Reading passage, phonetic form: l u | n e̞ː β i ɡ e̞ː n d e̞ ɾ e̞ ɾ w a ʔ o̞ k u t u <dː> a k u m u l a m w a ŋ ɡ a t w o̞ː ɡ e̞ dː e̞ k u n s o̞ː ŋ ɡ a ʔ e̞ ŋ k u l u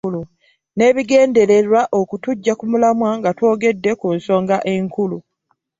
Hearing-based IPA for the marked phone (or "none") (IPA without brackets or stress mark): ɟː